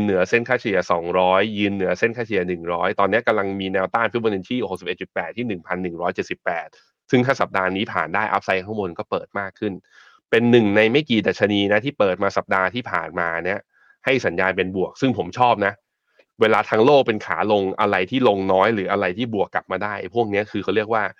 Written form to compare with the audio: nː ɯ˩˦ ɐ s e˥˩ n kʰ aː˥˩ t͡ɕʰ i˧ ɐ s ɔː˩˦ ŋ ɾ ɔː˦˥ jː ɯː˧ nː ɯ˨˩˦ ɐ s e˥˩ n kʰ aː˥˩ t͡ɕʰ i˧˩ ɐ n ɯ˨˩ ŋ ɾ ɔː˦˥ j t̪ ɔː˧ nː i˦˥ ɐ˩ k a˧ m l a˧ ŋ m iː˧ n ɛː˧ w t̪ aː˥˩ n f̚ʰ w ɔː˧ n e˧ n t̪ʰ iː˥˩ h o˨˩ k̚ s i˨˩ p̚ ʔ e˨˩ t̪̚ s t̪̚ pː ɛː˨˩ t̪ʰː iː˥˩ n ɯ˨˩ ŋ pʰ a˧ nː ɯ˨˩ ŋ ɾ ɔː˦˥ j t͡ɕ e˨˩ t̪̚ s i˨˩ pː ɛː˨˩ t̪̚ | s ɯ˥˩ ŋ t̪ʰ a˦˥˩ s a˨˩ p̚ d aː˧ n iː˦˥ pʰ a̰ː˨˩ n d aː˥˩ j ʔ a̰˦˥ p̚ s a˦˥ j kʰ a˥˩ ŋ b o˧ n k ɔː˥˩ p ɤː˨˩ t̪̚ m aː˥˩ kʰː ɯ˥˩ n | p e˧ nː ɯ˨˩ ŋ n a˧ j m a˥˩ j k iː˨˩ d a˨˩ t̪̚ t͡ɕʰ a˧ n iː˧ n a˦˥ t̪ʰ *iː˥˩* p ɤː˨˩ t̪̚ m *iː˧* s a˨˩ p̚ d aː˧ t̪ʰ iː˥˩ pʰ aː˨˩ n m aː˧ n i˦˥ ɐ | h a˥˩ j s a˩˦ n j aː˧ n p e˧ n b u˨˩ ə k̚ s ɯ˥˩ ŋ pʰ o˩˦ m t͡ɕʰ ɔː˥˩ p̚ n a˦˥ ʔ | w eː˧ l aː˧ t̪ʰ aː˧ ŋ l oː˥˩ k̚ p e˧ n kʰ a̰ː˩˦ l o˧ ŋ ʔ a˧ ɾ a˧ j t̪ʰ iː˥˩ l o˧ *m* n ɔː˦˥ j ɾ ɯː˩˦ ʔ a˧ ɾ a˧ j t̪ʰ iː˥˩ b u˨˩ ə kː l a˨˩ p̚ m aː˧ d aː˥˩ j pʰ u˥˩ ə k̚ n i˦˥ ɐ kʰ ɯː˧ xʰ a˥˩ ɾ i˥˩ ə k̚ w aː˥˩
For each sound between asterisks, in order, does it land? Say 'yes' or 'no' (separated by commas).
yes, no, no